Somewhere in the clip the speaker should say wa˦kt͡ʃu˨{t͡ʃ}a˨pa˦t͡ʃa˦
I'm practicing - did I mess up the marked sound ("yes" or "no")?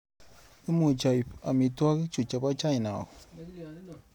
no